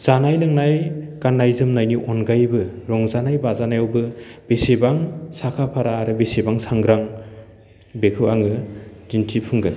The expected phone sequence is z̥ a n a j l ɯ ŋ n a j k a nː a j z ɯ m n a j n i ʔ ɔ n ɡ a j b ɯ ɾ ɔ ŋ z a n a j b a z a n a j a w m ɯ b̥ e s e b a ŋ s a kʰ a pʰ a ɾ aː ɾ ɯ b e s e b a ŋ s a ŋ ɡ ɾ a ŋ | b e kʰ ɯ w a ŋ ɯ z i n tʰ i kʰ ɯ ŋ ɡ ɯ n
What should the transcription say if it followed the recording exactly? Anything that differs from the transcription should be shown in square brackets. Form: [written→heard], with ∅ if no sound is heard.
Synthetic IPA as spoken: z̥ a n a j l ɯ ŋ n a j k a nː a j z ɯ m n a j n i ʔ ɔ n ɡ a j b ɯ ɾ ɔ ŋ z a n a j b a z a n a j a w [m→b] ɯ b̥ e s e b a ŋ s a kʰ a pʰ a ɾ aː ɾ ɯ b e s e b a ŋ s a ŋ ɡ ɾ a ŋ | b e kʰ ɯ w a ŋ ɯ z i n tʰ i [kʰ→pʰ] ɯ ŋ ɡ ɯ n